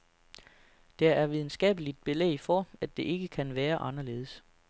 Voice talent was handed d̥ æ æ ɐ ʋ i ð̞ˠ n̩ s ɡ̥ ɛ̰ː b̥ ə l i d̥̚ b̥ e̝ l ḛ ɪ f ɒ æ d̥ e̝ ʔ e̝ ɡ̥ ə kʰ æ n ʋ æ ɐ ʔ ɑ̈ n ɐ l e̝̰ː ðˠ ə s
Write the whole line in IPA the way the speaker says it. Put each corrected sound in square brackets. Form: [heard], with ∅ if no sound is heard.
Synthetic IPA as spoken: d̥ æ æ ɐ ʋ i ð̞ˠ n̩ s ɡ̥ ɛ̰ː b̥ ə l i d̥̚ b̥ e̝ l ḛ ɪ f ɒ æ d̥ e̝ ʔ e̝ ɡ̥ ə kʰ æ n ʋ [æː] ɐ ʔ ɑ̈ n ɐ l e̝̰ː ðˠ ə s